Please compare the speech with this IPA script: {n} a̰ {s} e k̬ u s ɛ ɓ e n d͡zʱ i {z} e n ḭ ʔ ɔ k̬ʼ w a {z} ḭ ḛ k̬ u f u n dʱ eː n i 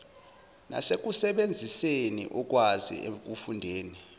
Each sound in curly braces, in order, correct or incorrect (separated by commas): correct, correct, incorrect, correct